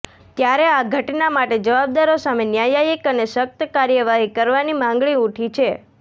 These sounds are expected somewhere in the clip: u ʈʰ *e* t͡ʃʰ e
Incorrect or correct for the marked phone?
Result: incorrect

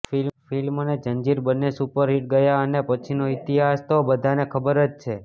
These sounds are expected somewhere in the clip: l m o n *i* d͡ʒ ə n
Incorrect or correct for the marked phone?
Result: incorrect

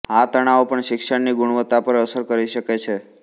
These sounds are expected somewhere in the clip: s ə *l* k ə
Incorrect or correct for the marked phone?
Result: incorrect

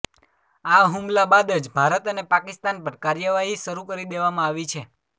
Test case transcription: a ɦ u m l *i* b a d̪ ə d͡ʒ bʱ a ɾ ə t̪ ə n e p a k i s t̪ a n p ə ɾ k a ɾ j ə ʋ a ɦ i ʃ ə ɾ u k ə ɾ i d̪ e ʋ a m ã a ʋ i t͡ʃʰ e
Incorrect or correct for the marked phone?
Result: incorrect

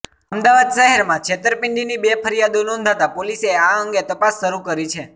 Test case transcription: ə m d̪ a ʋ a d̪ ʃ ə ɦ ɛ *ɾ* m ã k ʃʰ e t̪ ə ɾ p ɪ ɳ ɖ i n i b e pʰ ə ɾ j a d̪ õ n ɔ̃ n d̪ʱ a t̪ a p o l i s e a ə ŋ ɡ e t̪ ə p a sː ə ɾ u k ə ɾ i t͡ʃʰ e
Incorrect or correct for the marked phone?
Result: correct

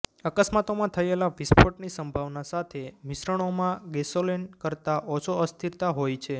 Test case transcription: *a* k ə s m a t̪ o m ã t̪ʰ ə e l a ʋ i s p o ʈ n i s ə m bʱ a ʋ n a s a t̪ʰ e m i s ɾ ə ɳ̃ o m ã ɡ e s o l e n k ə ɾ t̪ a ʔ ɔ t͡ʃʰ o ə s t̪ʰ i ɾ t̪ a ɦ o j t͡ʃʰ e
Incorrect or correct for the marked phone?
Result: incorrect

